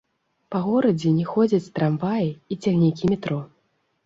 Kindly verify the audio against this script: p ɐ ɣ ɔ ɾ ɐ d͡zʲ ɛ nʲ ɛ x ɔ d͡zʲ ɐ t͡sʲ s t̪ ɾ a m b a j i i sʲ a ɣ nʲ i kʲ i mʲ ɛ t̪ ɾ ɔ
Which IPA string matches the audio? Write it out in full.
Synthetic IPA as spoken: p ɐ ɣ ɔ ɾ ɐ d͡zʲ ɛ nʲ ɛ x ɔ d͡zʲ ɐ t͡sʲ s t̪ ɾ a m v a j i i t͡sʲ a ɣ nʲ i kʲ i mʲ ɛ t̪ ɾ ɔ